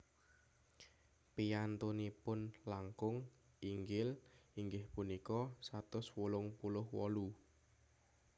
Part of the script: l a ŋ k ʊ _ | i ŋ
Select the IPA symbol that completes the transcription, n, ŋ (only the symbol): ŋ